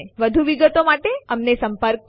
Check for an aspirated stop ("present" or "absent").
absent